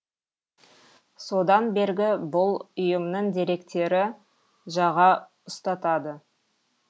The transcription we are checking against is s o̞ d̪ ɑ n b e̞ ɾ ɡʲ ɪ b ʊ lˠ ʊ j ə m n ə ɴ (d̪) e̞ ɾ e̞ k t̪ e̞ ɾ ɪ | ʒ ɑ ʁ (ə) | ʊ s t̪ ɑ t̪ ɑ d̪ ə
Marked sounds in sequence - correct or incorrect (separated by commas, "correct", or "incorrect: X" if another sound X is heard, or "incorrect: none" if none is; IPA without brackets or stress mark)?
correct, incorrect: ɑ